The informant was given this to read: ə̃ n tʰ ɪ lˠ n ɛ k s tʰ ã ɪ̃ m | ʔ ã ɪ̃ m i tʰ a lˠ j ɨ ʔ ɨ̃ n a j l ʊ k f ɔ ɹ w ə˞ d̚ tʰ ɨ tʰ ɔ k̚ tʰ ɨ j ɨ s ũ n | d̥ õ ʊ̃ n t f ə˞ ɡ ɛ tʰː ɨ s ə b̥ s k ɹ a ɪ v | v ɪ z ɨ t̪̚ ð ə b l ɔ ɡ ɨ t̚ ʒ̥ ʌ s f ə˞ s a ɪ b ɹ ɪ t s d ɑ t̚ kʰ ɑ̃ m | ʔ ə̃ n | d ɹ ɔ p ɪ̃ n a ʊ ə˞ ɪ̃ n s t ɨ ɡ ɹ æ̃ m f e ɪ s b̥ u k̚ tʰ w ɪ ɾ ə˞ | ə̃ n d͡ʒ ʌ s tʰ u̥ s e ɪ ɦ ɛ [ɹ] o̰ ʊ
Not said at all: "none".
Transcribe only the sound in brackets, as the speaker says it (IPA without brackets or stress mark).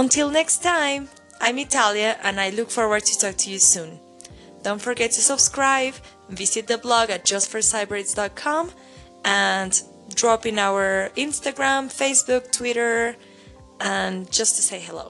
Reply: l